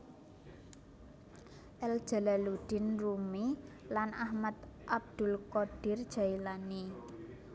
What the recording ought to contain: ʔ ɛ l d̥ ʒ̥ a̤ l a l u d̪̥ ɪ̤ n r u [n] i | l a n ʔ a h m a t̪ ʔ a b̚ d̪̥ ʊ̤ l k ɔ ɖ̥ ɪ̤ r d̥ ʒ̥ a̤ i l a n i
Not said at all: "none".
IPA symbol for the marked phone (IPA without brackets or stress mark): m